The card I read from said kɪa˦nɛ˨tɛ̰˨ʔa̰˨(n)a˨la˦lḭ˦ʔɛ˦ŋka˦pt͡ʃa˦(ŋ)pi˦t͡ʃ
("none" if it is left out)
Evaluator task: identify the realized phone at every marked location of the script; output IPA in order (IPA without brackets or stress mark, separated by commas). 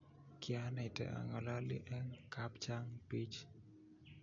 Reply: ŋ, ŋ